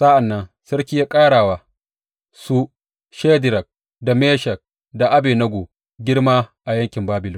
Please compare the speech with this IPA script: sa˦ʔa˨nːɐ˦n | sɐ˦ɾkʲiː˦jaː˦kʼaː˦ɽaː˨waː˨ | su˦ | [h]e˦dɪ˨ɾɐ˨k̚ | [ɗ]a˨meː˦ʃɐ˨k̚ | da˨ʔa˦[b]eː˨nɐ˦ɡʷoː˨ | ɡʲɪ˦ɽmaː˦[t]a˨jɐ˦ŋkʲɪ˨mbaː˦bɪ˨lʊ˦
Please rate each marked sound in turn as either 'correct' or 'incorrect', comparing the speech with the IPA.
incorrect: ʃ, incorrect: d, correct, incorrect: ʔ

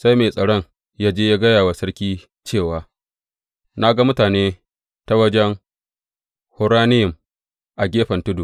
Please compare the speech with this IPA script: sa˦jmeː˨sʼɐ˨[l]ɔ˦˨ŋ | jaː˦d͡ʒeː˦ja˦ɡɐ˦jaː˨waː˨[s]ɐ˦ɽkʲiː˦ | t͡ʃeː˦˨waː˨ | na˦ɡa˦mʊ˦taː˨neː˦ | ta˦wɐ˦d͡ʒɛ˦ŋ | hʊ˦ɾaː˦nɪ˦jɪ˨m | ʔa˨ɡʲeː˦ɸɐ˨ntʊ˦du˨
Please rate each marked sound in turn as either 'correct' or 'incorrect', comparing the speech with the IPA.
incorrect: ɽ, correct

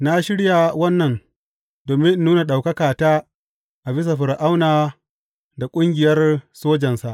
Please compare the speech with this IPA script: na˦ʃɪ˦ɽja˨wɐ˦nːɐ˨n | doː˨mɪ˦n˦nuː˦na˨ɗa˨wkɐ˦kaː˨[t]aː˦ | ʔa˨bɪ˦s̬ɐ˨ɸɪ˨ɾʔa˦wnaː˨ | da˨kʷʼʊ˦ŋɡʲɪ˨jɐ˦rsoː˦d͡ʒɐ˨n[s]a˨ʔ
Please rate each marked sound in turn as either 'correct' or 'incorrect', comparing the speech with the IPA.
correct, correct

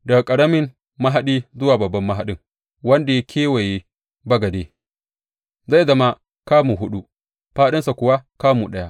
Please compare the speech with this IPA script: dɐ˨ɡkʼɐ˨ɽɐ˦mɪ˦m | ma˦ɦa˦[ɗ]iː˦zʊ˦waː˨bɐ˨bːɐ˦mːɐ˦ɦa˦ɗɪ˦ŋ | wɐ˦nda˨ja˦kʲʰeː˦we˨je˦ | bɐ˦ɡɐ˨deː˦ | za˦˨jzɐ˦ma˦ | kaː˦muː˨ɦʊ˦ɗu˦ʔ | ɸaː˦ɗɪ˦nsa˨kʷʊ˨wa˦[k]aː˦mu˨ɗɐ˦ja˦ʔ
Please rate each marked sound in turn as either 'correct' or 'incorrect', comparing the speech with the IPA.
correct, correct

